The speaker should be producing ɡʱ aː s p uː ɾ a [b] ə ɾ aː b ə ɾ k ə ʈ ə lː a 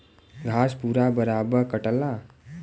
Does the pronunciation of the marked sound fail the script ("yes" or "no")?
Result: no